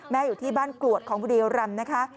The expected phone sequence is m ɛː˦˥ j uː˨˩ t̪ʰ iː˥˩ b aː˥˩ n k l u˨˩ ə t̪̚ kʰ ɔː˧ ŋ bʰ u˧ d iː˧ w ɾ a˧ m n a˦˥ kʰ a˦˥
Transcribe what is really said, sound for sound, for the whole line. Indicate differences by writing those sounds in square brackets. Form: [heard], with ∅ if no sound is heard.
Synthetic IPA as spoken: m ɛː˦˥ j uː˨˩ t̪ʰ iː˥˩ b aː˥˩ n k l u˨˩ ə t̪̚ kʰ [ɔː˩˦] ŋ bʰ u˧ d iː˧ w ɾ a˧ m n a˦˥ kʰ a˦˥